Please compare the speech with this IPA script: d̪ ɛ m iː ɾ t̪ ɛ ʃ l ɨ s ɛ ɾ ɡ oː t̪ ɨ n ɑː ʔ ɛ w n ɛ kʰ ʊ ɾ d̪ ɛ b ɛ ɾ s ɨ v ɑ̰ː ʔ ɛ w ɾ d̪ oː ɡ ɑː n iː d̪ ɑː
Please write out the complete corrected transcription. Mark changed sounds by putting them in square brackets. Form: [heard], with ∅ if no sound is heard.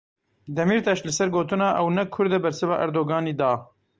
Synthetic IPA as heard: d̪ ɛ m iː ɾ t̪ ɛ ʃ l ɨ s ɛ ɾ ɡ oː t̪ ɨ n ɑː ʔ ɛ w n ɛ kʰ ʊ ɾ d̪ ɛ b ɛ ɾ s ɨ v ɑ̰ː ʔ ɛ [∅] ɾ d̪ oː ɡ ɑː n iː d̪ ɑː

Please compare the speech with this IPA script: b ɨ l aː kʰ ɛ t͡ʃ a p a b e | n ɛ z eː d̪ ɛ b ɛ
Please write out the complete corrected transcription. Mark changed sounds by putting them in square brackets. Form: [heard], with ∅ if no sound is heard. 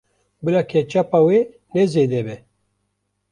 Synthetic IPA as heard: b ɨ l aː kʰ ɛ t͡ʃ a p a [w] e | n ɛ z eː d̪ ɛ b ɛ

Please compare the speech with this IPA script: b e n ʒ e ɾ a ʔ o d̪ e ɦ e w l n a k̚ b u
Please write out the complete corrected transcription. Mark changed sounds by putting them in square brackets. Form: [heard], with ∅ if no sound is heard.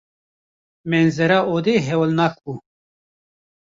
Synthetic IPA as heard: [m] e n [z] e ɾ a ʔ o d̪ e ɦ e w l n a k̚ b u

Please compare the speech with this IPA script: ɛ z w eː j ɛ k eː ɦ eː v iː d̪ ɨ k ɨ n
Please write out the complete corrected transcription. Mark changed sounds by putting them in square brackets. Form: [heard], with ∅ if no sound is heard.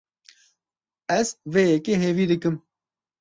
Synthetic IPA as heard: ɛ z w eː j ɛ k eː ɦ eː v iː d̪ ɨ k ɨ [m]

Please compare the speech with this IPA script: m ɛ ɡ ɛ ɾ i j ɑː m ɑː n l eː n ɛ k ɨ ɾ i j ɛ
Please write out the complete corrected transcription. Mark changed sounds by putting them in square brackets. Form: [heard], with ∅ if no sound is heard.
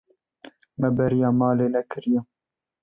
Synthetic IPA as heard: m ɛ [b] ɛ ɾ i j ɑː m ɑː [∅] l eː n ɛ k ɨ ɾ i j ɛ

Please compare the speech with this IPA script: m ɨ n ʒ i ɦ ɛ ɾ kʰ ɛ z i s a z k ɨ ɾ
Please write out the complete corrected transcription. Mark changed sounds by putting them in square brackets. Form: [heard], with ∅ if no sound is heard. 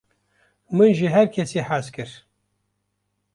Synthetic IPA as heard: m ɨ n ʒ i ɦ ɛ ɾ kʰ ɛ [s] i [ħ] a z k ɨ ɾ

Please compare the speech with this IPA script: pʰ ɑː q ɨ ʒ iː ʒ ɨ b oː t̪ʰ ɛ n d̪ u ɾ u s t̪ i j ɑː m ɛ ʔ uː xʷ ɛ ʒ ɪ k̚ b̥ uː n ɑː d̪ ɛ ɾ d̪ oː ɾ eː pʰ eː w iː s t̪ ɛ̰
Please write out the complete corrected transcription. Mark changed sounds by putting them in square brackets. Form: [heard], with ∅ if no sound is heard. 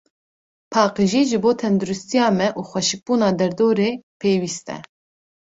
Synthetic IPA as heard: pʰ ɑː q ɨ ʒ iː ʒ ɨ b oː t̪ʰ ɛ n d̪ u ɾ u s t̪ i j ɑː m ɛ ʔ uː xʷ ɛ [ʃ] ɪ k̚ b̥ uː n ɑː d̪ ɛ ɾ d̪ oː ɾ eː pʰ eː w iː s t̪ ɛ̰

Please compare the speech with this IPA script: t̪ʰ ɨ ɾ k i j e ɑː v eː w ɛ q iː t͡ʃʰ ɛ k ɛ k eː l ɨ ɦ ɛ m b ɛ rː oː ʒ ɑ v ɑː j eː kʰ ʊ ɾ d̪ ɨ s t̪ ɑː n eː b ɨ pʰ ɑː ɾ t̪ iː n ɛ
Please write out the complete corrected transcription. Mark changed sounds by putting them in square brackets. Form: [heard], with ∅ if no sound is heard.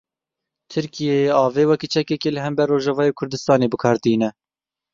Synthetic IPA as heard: t̪ʰ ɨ ɾ k i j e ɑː v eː w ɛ [k] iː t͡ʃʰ ɛ k ɛ k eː l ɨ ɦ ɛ m b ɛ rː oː ʒ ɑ v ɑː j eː kʰ ʊ ɾ d̪ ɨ s t̪ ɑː n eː b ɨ [kʰ] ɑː ɾ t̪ iː n ɛ

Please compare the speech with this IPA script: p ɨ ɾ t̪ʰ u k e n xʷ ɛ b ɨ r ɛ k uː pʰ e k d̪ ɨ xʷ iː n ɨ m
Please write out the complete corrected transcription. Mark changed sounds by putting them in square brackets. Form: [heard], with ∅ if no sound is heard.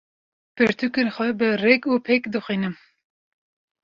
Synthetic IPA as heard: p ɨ ɾ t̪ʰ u k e n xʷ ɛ b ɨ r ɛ k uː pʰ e k d̪ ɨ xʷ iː n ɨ m

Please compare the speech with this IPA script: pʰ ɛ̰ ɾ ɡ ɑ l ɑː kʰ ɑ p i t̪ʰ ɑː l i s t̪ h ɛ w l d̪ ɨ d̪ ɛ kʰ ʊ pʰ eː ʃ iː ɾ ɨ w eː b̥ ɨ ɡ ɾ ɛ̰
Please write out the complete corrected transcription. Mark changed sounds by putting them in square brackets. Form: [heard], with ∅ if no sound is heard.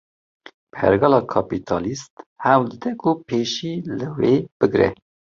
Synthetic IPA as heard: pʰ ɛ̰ ɾ ɡ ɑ l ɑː kʰ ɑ p i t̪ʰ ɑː l i s t̪ h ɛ w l d̪ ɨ d̪ ɛ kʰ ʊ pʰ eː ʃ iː [l] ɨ w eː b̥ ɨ ɡ ɾ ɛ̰

